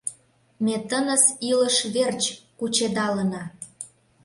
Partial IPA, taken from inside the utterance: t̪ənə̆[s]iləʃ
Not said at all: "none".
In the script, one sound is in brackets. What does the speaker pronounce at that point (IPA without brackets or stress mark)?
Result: s